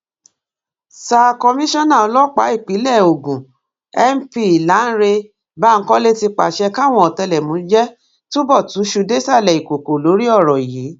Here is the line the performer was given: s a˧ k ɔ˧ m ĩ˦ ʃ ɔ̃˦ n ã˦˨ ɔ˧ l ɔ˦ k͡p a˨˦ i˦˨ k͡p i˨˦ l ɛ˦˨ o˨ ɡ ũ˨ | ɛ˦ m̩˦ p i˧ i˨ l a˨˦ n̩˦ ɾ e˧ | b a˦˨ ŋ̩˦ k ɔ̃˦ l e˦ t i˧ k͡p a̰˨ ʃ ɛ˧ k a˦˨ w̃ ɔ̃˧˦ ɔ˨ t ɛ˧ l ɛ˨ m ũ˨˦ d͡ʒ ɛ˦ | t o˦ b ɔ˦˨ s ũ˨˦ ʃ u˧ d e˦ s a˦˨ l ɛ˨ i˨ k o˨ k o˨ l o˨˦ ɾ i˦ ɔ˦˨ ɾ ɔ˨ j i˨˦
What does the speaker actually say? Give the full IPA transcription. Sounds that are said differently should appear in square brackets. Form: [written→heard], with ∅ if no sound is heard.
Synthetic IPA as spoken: s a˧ k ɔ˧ m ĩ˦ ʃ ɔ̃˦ n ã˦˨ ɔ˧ l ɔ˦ k͡p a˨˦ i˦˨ k͡p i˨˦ l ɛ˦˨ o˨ ɡ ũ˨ | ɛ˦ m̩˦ p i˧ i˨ l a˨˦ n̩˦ ɾ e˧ | b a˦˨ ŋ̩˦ k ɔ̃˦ l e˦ t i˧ k͡p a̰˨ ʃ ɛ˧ k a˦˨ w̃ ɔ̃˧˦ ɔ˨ t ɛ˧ l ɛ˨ m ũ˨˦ d͡ʒ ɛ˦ | t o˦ b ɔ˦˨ [s→t] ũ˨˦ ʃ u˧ d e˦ s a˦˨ l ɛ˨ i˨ k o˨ k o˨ l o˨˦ ɾ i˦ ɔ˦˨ ɾ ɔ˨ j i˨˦